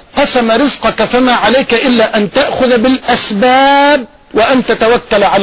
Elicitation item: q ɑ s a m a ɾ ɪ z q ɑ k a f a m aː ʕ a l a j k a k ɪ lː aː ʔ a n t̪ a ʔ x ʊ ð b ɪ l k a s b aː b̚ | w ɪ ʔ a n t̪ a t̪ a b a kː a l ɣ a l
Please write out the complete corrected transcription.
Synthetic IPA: q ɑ s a m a ɾ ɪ z q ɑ k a f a m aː ʕ a l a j k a ʔ ɪ lː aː ʔ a n t̪ a ʔ x ʊ ð b ɪ l ʔ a s b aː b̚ | w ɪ ʔ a n t̪ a t̪ a w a kː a l ʕ a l